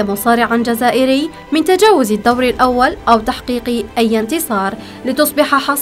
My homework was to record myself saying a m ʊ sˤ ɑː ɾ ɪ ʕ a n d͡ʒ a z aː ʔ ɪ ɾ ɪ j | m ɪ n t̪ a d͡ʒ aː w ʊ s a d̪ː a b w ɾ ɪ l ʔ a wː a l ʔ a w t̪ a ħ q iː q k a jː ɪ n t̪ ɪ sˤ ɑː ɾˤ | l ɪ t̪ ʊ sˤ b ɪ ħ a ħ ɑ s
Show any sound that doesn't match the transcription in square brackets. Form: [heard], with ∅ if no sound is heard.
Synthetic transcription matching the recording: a m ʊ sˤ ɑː ɾ ɪ ʕ a n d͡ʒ a z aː ʔ ɪ ɾ ɪ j | m ɪ n t̪ a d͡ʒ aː w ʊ [z] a d̪ː a [∅] w ɾ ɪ l ʔ a wː a l ʔ a w t̪ a ħ q iː q [ʔ] a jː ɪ n t̪ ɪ sˤ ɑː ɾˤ | l ɪ t̪ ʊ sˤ b ɪ ħ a ħ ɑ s